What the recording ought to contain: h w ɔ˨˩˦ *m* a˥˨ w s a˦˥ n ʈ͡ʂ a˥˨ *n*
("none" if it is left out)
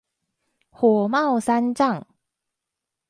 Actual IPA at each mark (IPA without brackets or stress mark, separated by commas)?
m, ŋ